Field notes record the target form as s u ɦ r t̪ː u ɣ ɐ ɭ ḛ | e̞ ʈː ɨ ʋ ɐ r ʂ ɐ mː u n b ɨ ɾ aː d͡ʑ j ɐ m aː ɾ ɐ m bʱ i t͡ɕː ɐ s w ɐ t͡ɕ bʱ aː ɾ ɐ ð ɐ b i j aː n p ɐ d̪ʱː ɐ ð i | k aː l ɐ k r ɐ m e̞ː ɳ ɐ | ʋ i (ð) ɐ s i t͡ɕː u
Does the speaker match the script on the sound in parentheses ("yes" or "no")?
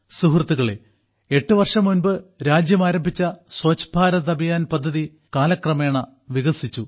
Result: no